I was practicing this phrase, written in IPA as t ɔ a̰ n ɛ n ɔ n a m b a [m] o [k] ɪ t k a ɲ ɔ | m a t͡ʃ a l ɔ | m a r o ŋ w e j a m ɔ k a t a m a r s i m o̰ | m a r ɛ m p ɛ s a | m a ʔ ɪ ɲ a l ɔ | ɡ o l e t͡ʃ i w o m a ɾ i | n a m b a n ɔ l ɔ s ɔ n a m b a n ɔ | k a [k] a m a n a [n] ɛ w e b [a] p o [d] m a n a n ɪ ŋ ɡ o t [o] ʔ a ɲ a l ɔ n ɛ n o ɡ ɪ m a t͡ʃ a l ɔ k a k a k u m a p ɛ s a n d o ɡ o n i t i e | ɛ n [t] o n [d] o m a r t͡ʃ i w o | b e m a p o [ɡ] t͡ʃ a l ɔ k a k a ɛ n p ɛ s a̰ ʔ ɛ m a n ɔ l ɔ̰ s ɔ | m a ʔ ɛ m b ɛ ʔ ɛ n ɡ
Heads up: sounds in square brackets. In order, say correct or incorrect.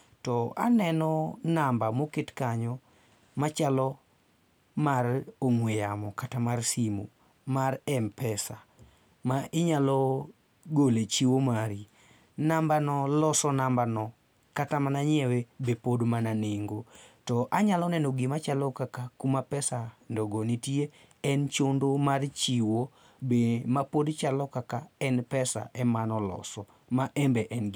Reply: correct, correct, incorrect, incorrect, incorrect, correct, incorrect, incorrect, correct, incorrect

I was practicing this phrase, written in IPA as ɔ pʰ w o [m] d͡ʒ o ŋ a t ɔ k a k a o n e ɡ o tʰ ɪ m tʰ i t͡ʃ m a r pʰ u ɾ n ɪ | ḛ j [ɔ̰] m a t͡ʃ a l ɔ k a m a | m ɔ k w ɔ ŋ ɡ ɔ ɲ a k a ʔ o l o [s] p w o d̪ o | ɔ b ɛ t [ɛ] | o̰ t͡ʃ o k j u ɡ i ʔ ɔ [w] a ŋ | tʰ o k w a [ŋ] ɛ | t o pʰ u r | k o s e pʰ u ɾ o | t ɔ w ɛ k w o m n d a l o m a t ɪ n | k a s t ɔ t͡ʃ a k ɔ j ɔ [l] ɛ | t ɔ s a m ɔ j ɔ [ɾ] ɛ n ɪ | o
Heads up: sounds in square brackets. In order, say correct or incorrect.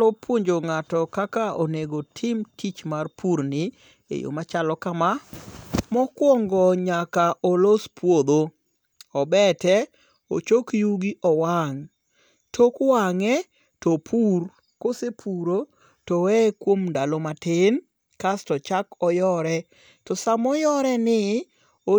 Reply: incorrect, incorrect, correct, correct, correct, correct, incorrect, correct

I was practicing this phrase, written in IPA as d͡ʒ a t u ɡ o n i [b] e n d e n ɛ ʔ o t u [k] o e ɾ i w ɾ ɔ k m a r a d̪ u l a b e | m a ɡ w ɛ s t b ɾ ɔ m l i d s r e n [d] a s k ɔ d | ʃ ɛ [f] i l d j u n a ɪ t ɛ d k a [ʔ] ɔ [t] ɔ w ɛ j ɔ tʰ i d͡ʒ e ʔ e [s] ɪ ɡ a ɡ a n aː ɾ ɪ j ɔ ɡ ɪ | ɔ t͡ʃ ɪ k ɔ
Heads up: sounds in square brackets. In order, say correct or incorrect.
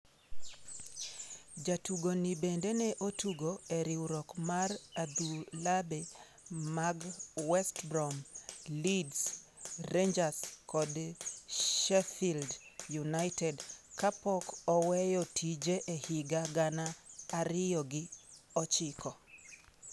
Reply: correct, incorrect, incorrect, correct, incorrect, incorrect, incorrect

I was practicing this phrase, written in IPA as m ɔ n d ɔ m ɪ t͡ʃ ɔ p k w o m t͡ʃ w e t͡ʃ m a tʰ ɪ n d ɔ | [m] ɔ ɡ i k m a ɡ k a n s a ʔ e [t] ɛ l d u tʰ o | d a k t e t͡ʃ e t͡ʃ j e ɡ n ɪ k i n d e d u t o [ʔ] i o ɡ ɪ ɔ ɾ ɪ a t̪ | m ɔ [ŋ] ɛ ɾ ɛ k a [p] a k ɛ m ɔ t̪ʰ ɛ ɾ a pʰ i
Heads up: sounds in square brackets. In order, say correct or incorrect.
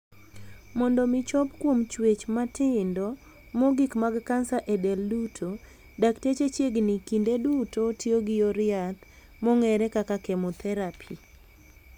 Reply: correct, incorrect, incorrect, correct, incorrect

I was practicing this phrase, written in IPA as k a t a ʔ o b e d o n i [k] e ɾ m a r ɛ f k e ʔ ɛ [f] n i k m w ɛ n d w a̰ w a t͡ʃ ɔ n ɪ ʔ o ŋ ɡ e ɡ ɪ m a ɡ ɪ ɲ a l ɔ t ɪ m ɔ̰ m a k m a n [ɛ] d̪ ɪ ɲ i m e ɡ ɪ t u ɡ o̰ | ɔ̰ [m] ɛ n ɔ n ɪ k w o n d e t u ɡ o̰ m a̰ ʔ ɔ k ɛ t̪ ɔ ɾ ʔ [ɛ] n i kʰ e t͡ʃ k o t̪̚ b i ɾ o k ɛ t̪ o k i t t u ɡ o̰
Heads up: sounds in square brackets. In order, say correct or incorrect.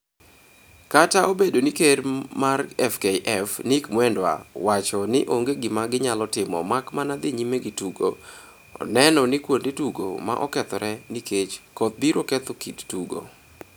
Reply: correct, correct, incorrect, incorrect, correct

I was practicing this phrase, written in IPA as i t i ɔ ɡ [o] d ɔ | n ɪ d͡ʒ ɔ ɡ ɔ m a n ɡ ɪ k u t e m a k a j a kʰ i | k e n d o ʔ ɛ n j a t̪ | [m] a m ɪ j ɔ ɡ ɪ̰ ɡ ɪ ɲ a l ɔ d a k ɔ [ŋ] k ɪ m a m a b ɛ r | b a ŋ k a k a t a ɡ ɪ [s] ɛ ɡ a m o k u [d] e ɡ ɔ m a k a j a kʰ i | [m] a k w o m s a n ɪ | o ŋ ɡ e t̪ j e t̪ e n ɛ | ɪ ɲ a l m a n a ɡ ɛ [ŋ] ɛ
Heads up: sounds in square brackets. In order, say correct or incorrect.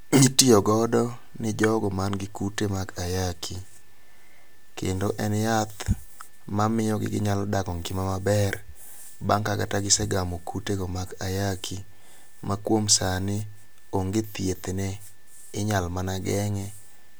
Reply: incorrect, correct, correct, correct, incorrect, correct, correct

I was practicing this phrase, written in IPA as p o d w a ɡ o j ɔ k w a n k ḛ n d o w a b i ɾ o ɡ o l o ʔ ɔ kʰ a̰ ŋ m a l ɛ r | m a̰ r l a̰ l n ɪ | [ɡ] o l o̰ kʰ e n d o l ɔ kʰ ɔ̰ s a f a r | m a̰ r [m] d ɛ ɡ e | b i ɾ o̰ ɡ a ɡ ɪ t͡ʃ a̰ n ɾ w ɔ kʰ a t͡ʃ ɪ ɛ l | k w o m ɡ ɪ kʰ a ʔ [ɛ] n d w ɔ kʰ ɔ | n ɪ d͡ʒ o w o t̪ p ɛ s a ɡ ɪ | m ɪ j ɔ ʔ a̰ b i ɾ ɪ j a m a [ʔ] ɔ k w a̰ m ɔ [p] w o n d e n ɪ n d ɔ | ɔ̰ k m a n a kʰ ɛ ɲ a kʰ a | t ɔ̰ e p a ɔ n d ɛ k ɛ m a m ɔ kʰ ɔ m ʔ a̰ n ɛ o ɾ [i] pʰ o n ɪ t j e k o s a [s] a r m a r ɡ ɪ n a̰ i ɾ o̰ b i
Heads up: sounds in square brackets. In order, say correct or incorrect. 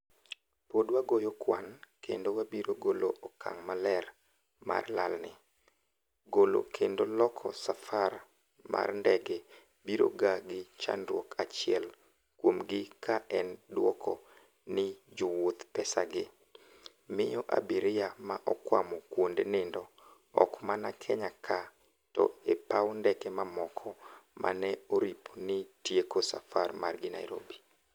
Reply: correct, incorrect, correct, correct, incorrect, correct, incorrect

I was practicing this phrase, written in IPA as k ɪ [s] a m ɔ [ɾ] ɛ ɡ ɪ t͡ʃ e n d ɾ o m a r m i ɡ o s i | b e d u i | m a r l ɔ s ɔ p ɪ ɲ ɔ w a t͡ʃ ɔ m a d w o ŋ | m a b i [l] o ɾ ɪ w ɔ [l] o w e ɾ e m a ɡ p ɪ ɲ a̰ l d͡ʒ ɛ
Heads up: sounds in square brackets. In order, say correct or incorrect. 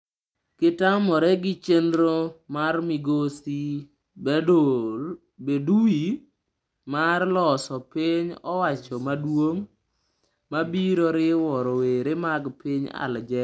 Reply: incorrect, correct, incorrect, incorrect

